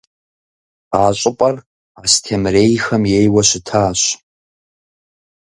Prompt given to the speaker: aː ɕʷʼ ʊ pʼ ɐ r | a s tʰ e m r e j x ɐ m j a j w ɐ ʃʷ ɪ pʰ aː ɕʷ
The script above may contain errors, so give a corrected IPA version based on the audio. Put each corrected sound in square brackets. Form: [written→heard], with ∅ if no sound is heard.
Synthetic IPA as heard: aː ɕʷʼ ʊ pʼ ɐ r | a s tʰ e m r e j x ɐ m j [a→e] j w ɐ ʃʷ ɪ [pʰ→tʰ] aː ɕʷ